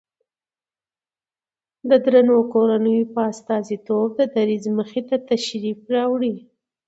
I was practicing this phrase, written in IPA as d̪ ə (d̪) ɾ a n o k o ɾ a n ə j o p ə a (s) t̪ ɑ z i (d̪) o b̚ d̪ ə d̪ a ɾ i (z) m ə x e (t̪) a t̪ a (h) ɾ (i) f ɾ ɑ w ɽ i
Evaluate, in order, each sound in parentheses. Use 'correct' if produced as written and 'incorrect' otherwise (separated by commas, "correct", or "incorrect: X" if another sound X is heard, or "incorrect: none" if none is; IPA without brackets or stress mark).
correct, correct, incorrect: t̪, correct, correct, incorrect: ʃ, correct